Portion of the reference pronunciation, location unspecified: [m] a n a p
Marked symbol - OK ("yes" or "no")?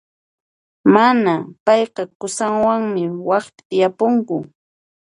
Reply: yes